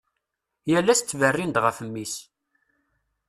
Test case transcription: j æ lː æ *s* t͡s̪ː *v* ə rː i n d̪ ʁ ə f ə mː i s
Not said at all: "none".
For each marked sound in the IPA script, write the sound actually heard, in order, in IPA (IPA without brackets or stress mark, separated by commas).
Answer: s, v